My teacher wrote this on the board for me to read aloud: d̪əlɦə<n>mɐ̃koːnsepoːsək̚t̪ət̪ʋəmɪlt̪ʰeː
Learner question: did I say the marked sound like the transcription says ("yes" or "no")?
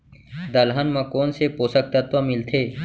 yes